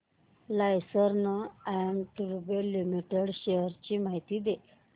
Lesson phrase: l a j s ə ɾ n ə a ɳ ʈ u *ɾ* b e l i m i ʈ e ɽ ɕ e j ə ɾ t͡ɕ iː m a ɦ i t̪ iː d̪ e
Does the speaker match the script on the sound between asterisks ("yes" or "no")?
yes